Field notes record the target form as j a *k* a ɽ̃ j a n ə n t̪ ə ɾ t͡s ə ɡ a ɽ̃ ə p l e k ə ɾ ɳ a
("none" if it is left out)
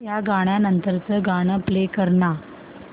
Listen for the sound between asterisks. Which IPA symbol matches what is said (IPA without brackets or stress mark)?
ɡ